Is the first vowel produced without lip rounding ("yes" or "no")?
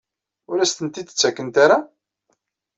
no